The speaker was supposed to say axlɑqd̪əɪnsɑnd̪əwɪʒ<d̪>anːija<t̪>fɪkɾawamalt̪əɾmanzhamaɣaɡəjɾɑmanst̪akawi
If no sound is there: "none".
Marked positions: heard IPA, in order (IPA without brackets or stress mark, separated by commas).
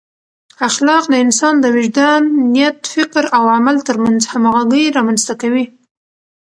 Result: d̪, t̪